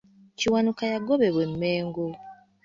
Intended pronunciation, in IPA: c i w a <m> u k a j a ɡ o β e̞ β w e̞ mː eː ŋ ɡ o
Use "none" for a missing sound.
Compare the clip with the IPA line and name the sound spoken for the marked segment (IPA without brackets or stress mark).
n